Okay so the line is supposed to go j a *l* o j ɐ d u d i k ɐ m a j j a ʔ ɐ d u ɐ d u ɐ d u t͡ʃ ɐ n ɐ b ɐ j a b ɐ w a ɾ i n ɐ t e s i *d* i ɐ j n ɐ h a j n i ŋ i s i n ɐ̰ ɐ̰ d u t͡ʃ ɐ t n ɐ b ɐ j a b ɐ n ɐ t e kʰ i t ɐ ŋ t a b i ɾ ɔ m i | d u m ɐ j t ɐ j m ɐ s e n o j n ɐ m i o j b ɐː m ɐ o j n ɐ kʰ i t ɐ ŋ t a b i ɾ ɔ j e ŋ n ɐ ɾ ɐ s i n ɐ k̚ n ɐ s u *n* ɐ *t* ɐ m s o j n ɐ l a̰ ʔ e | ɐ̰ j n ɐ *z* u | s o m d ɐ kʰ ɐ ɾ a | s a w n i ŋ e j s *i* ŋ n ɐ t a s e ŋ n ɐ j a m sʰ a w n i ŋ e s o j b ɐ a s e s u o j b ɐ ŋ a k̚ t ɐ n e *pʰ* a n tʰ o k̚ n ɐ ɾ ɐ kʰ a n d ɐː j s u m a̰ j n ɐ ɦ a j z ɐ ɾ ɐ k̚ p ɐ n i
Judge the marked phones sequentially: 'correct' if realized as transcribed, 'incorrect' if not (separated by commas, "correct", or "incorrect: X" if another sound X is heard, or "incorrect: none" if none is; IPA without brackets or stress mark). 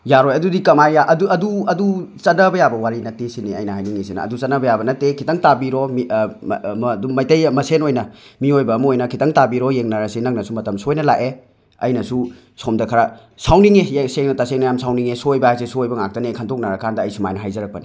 incorrect: ɾ, incorrect: n, incorrect: m, correct, incorrect: s, incorrect: e, incorrect: kʰ